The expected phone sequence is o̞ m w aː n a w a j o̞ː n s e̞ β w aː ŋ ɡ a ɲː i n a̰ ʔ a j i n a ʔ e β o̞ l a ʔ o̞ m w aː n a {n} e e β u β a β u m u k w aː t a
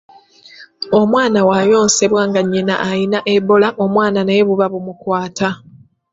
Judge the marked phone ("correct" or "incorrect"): correct